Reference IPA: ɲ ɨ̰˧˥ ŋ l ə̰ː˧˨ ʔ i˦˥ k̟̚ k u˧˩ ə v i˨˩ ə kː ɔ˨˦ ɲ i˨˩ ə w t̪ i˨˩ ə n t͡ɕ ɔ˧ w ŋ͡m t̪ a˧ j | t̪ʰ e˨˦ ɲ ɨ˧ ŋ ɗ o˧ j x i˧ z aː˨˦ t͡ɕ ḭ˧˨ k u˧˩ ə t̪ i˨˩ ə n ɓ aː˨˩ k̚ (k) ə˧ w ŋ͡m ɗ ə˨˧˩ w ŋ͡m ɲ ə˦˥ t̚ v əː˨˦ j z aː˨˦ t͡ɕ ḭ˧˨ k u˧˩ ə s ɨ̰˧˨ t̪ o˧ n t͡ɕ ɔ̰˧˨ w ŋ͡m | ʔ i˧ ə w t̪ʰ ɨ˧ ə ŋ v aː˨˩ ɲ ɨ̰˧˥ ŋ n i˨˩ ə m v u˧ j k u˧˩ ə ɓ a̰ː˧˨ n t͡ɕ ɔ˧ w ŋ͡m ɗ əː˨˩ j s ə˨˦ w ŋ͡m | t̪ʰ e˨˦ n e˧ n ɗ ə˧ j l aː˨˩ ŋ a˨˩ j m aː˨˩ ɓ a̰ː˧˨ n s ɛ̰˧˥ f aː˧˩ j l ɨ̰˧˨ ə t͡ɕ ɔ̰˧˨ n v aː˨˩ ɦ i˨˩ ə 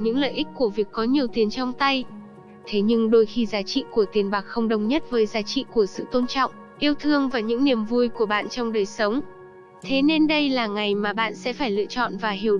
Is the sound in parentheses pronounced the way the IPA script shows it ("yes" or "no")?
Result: no